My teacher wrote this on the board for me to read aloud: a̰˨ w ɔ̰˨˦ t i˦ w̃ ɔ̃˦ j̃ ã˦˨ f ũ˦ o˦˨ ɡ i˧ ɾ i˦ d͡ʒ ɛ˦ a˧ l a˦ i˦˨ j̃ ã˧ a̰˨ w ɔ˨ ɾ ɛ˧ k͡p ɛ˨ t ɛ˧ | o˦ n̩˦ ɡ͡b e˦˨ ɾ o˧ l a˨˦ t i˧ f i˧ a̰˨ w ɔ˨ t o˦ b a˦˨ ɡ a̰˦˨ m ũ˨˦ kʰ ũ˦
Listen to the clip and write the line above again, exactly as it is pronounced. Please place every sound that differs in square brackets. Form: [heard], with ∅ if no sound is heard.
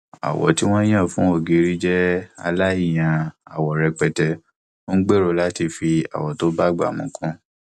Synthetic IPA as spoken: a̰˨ w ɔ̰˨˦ t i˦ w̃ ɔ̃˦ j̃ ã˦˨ f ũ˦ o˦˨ ɡ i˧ ɾ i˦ d͡ʒ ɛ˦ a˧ l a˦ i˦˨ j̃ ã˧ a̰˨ w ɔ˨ ɾ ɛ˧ k͡p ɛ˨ t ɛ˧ | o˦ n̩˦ ɡ͡b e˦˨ ɾ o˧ l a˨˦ t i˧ f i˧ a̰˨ w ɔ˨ t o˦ b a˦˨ [ɡ͡b] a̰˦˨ m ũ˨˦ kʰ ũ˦